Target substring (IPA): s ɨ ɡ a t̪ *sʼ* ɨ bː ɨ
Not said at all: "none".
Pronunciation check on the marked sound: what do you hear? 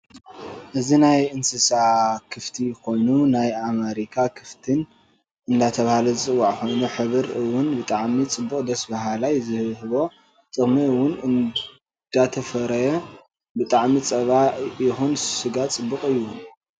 t͡sʼ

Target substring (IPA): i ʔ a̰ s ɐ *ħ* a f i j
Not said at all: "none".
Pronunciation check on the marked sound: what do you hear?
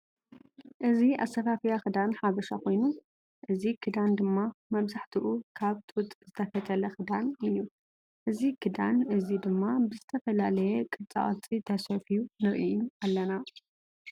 f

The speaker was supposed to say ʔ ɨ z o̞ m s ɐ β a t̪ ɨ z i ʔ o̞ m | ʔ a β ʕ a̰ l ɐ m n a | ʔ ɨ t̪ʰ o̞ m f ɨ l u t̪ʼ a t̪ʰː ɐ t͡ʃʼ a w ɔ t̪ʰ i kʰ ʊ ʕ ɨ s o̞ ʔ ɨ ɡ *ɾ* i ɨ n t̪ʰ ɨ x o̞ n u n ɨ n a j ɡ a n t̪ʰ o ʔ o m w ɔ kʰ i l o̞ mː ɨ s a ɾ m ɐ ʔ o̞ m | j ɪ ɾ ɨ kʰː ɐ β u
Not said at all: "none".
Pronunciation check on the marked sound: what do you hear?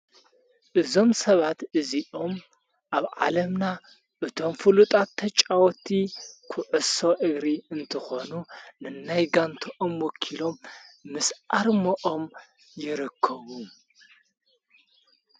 ɾ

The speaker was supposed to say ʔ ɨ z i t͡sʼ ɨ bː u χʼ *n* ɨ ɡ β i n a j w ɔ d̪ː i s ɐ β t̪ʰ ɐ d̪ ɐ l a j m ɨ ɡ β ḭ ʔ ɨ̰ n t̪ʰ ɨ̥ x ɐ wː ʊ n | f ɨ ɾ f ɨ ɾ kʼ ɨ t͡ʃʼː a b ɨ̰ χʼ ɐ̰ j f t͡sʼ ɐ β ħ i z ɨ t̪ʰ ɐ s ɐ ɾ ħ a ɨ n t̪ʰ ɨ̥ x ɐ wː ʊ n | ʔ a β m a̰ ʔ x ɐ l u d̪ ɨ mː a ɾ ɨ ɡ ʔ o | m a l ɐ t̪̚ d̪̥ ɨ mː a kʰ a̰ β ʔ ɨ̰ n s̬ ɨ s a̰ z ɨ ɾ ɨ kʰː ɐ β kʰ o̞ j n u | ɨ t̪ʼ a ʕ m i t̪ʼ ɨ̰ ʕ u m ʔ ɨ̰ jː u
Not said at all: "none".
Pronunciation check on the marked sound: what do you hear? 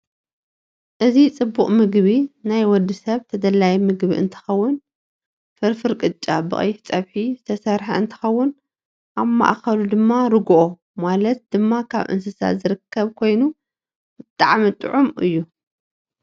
m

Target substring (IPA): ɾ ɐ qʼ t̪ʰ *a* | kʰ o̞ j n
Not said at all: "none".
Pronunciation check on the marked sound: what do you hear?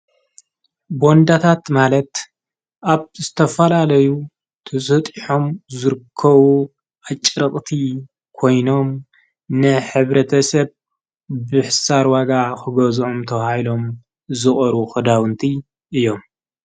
i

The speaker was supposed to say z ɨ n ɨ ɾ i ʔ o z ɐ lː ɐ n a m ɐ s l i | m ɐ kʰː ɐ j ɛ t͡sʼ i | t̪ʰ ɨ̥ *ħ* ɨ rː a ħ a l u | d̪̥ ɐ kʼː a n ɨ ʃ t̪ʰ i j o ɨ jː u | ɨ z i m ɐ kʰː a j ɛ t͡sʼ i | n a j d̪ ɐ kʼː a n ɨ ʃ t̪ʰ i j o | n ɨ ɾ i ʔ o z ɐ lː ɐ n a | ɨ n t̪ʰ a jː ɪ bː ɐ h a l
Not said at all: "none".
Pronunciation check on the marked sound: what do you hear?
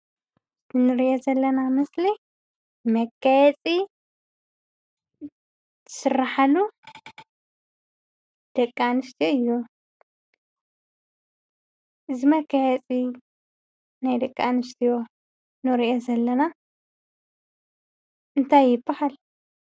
s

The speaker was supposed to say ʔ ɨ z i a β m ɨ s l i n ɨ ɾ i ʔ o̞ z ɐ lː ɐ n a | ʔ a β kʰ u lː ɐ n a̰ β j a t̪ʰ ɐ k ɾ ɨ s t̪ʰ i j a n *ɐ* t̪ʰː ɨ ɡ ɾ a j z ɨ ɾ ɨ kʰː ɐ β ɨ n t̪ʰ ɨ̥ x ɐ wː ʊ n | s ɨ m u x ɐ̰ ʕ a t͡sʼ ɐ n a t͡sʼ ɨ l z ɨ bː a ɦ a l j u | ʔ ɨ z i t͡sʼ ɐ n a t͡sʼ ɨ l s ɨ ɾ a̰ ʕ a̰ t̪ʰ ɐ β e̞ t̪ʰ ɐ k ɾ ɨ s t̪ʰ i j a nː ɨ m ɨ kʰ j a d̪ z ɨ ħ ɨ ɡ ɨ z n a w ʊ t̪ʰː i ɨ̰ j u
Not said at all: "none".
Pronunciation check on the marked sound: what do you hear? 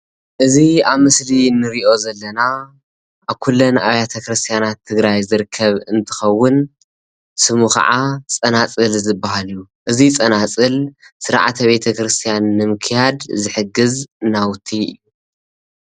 a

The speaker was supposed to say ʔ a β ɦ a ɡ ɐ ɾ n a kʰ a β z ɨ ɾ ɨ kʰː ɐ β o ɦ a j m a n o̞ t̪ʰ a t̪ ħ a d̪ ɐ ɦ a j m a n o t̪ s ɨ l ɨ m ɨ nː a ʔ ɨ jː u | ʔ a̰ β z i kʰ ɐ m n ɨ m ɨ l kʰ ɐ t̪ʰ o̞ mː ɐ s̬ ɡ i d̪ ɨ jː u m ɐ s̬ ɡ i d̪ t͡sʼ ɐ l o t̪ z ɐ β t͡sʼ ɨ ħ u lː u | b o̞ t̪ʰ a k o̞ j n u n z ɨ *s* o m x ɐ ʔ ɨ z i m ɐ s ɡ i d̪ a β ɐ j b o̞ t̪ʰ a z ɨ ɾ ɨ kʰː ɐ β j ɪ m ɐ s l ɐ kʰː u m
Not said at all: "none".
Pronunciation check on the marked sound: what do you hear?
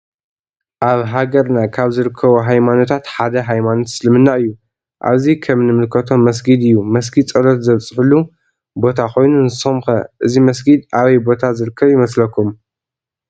s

